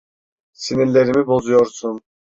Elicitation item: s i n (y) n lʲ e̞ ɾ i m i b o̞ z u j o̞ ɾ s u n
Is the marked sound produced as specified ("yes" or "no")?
no